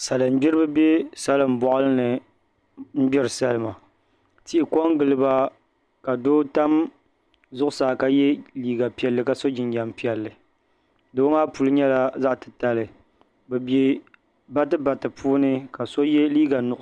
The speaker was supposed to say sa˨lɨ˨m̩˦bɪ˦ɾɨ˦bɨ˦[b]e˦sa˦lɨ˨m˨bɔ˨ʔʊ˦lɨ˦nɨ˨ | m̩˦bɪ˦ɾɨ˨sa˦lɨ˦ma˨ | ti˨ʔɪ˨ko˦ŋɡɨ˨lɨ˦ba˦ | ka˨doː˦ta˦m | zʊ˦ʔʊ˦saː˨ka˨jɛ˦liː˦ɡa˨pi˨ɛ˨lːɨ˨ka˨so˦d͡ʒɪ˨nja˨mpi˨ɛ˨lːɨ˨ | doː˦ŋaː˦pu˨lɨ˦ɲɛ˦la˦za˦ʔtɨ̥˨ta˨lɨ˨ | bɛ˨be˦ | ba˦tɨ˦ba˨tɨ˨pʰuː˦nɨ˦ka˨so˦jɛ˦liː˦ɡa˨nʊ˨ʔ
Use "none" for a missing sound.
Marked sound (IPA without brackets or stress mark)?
b